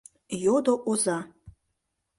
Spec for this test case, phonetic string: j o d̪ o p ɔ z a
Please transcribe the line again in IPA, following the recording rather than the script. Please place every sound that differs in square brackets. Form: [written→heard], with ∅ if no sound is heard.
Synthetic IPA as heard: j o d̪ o [p→ʔ] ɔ z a